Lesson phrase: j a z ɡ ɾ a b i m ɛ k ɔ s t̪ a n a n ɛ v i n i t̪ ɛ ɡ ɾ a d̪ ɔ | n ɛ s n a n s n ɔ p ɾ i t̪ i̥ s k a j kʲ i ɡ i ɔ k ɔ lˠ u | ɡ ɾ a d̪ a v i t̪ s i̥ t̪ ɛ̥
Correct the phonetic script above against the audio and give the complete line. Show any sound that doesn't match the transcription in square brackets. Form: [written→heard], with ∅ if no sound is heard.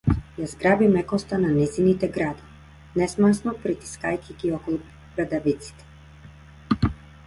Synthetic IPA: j a z ɡ ɾ a b i m ɛ k ɔ s t̪ a n a n ɛ [v→z] i n i t̪ ɛ ɡ ɾ a d̪ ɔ | n ɛ s [n→m] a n s n ɔ p ɾ i t̪ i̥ s k a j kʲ i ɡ i ɔ k ɔ lˠ u | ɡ ɾ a d̪ a v i t̪ s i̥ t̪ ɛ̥